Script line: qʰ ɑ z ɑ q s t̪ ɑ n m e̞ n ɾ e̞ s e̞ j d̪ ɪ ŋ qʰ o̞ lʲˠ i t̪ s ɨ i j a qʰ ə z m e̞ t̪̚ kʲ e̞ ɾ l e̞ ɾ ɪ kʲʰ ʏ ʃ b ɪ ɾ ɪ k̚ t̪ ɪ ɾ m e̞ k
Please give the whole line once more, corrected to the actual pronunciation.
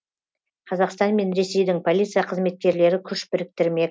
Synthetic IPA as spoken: qʰ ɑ z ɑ q s t̪ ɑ n m e̞ n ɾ e̞ s e̞ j d̪ ɪ ŋ pʰ o̞ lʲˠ i t̪ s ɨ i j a qʰ ə z m e̞ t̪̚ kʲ e̞ ɾ l e̞ ɾ ɪ kʲʰ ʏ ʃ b ɪ ɾ ɪ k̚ t̪ ɪ ɾ m e̞ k